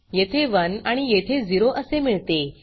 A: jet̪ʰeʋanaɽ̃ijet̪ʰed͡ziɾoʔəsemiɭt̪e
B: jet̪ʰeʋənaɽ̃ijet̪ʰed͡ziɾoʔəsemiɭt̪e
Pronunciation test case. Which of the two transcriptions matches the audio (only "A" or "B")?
B